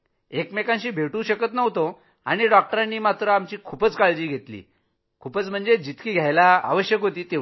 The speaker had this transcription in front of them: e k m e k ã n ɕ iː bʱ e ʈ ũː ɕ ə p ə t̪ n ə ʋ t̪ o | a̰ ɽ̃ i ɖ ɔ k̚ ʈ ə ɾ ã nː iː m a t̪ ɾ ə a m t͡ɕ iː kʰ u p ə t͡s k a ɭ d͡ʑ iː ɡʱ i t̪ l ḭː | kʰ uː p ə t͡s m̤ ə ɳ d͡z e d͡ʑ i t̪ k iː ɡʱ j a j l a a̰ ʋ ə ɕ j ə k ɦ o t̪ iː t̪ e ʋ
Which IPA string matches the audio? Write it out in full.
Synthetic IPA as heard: e k m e k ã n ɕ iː bʱ e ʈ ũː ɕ ə k ə t̪ n ə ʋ t̪ o | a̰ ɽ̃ i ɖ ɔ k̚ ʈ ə ɾ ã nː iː m a t̪ ɾ ə a m t͡ɕ iː kʰ u p ə t͡s k a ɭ d͡ʑ iː ɡʱ e t̪ l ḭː | kʰ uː p ə t͡s m̤ ə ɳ d͡z e d͡ʑ i t̪ k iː ɡʱ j a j l a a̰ ʋ ə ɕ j ə k ɦ o t̪ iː t̪ e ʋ